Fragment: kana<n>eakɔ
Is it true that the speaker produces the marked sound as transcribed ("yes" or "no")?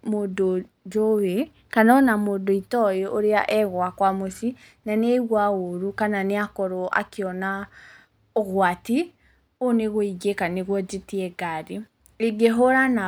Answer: yes